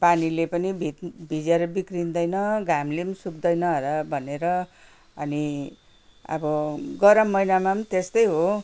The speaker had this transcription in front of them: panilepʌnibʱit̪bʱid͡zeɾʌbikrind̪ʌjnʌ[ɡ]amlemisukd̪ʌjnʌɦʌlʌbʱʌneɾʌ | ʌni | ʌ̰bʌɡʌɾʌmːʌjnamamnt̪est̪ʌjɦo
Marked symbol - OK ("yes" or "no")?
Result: yes